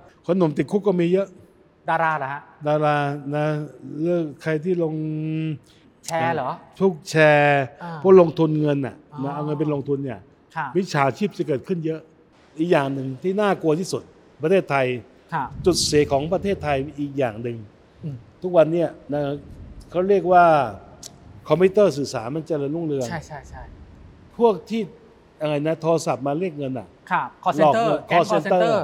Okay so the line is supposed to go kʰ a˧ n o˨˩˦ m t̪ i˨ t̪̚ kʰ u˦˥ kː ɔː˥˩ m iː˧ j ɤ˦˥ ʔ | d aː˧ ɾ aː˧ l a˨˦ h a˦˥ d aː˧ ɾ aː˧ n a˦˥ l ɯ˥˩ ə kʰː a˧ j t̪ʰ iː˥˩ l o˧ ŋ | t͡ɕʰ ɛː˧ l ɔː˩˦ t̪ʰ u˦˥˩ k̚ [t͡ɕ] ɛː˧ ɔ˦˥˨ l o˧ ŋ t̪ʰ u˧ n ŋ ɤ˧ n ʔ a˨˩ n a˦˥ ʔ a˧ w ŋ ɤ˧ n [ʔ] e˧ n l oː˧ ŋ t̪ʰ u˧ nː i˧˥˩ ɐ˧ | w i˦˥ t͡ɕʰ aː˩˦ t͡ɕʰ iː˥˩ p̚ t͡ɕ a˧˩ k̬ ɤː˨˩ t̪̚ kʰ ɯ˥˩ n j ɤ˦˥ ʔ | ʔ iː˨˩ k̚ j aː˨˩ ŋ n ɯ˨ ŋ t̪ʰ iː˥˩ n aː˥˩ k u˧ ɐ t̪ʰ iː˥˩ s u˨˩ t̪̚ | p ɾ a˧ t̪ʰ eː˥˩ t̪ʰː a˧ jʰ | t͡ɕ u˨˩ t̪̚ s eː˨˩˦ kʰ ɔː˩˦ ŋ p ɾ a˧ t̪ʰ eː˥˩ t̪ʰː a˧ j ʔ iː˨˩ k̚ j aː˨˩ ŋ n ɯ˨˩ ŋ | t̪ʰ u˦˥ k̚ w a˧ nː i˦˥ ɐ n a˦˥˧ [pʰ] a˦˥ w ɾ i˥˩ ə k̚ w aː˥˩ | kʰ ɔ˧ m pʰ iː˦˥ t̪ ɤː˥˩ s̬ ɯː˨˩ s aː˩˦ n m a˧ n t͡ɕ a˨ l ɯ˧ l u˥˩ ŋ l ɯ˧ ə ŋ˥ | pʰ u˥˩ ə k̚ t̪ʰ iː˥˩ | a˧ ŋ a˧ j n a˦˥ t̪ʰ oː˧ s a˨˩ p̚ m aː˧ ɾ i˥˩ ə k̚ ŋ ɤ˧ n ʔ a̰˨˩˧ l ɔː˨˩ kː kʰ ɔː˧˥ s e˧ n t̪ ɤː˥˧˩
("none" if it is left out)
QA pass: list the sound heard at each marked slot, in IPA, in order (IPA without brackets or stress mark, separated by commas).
t͡ɕʰ, p, kʰ